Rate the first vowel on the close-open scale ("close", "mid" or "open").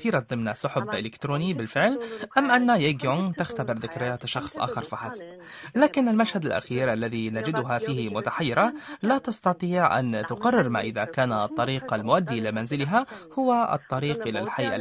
close